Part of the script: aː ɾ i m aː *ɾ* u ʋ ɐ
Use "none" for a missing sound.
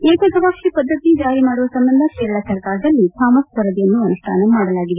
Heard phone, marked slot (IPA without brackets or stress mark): ɽ